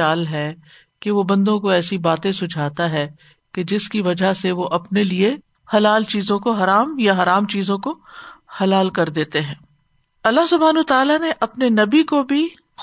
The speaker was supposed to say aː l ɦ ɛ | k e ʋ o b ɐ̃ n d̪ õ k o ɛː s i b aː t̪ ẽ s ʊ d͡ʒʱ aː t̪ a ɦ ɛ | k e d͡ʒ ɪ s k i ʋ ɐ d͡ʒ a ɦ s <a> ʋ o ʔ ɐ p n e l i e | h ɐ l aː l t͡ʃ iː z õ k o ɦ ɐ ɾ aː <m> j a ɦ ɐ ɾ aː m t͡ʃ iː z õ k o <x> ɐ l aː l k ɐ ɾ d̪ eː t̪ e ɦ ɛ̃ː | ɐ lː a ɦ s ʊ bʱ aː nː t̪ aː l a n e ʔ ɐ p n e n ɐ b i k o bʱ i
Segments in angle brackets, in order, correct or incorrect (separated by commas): incorrect, correct, incorrect